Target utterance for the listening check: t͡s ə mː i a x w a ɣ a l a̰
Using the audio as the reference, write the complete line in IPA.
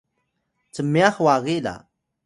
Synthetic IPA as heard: t͡s ə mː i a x w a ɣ i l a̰